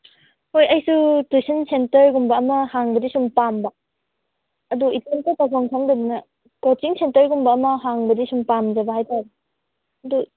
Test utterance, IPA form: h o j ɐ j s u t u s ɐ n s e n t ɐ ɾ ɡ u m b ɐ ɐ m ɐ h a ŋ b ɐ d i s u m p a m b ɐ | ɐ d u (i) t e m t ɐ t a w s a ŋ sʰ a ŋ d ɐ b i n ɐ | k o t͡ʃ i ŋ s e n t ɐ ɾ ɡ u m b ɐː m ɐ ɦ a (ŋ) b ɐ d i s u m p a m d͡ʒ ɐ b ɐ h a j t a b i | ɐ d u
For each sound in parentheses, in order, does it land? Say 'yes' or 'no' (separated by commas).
yes, yes